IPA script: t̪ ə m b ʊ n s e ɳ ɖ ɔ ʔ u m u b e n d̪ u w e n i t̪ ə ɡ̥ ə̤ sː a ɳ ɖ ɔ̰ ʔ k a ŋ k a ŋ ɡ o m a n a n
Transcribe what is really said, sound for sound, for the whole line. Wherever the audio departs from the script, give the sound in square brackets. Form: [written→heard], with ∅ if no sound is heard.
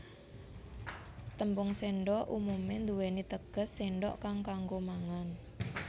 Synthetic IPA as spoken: t̪ ə m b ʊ [n→ŋ] s e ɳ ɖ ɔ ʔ u m u [b→m] e n d̪ u w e n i t̪ ə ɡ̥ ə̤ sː [a→e] ɳ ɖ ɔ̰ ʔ k a ŋ k a ŋ ɡ o m a [n→ŋ] a n